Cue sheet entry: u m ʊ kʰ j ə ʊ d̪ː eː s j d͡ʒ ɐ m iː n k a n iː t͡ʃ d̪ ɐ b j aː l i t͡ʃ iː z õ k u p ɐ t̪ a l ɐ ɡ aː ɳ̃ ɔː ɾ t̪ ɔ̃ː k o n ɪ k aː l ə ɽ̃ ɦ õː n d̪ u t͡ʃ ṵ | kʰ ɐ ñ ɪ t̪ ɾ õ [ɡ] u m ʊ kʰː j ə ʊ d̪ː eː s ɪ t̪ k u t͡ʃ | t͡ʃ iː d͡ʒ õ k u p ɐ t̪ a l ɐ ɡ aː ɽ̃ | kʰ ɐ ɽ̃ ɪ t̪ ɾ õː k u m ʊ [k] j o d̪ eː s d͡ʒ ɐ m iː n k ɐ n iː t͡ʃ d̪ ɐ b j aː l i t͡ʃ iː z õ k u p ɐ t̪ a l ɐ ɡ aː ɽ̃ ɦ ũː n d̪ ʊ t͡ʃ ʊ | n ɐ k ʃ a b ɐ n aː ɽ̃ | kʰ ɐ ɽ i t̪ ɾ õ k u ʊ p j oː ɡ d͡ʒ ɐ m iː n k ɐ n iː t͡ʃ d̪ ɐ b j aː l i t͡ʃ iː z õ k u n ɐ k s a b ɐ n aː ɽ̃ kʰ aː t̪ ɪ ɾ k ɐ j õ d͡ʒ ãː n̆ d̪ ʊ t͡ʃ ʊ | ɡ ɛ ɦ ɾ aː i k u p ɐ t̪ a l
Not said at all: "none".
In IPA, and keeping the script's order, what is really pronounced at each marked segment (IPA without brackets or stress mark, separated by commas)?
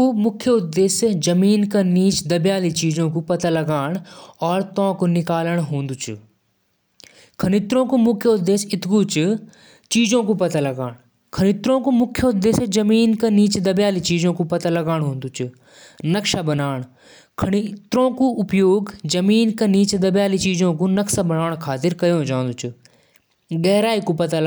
k, kʰ